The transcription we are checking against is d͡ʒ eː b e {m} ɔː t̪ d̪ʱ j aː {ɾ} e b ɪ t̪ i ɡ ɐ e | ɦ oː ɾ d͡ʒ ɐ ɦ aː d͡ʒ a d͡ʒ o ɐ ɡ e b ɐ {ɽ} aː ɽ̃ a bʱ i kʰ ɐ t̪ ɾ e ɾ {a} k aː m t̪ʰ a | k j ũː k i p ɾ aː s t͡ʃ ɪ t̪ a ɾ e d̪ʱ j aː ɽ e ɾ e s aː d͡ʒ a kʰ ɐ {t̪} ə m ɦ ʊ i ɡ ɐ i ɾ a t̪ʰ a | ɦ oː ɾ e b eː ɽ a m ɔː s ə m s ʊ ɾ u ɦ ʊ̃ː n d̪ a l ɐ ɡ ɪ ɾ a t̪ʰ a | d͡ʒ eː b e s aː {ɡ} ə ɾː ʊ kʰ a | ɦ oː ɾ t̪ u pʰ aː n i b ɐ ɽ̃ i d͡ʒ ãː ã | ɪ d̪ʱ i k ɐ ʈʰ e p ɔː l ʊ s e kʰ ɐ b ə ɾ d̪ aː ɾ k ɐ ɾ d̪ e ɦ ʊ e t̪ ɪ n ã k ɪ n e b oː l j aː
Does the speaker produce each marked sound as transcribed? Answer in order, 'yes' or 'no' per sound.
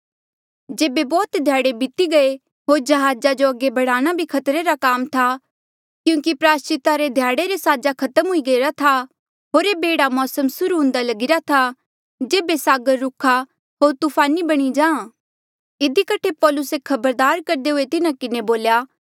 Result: no, no, yes, yes, yes, yes

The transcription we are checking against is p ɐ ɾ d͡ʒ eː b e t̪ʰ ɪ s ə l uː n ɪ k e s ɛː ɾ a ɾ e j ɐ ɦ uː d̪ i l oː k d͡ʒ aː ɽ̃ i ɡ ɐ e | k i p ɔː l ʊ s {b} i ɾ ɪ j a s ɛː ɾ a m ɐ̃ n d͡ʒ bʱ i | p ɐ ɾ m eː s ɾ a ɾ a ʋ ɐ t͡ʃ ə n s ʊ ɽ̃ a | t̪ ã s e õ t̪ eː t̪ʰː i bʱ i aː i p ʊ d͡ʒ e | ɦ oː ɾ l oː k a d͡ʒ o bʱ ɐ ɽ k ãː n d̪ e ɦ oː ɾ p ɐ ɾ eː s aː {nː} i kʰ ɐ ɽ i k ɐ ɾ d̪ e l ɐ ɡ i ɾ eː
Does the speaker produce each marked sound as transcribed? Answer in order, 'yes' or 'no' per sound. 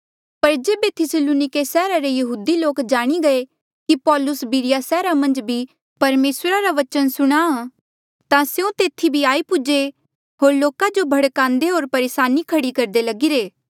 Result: yes, no

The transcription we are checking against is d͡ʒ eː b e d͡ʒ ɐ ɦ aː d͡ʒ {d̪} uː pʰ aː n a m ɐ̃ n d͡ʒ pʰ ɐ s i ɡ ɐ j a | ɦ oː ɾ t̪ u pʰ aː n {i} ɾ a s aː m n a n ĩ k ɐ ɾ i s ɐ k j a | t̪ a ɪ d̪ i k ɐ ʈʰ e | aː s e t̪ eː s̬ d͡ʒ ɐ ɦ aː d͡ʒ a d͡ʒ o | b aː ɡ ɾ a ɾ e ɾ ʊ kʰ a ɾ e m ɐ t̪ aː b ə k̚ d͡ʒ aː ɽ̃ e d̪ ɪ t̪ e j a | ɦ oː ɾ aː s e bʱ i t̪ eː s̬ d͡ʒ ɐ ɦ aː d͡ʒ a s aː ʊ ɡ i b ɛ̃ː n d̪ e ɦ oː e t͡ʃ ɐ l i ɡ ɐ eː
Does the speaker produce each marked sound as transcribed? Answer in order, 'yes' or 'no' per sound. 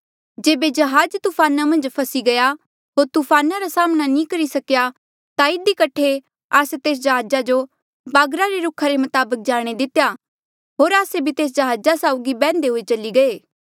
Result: no, no

